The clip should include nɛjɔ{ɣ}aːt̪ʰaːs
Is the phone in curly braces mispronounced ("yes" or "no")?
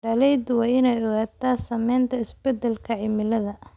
no